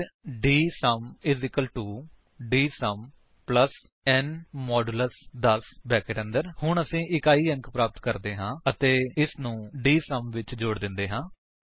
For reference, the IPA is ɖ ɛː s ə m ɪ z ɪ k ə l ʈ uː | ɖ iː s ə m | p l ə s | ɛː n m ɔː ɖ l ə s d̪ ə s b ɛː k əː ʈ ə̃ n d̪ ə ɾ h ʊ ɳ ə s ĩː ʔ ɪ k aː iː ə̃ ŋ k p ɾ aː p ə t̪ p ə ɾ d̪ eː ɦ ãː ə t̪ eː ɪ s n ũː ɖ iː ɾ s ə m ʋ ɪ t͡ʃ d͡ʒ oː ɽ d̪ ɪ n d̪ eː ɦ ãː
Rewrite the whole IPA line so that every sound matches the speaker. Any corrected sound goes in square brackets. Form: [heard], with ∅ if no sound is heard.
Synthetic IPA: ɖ [iː] s ə m ɪ z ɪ k ə l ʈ uː | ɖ iː s ə m | p l ə s | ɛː n m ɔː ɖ l ə s d̪ ə s b ɛː k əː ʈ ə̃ n d̪ ə ɾ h ʊ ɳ ə s ĩː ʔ ɪ k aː iː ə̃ ŋ k p ɾ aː p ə t̪ [k] ə ɾ d̪ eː ɦ ãː ə t̪ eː ɪ s n ũː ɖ iː [∅] s ə m ʋ ɪ t͡ʃ d͡ʒ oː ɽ d̪ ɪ n d̪ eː ɦ ãː